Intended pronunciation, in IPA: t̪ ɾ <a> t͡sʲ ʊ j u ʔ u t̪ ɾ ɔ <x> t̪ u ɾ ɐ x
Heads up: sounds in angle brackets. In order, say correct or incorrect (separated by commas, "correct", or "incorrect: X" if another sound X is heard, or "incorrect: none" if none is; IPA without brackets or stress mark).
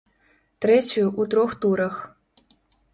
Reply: incorrect: ɛ, correct